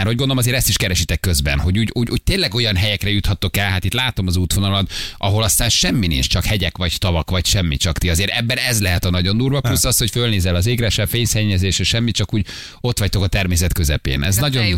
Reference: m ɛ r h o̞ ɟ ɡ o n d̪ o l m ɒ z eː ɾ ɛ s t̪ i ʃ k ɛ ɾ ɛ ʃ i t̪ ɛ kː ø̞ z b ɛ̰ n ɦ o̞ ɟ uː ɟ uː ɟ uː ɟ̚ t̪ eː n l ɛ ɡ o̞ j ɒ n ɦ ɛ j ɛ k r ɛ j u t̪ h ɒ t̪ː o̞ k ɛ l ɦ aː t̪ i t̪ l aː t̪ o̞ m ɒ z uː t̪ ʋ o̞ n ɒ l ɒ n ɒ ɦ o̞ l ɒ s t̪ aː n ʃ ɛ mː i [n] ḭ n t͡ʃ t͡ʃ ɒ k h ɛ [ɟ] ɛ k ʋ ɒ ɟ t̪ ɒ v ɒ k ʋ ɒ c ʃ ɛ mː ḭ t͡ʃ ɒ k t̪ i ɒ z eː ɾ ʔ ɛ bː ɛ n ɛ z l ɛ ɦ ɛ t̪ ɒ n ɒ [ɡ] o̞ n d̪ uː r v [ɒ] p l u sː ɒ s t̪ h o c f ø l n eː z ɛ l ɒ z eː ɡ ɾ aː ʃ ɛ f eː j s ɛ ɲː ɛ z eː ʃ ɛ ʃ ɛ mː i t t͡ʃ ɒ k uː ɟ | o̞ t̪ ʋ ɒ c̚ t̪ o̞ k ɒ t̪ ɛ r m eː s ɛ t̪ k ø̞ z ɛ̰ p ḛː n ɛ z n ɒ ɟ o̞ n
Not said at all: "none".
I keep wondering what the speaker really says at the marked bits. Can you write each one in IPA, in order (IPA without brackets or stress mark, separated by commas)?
n, ɟ, ɟ, ɒ